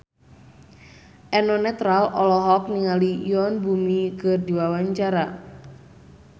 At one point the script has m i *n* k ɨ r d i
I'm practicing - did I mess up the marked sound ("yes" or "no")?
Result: yes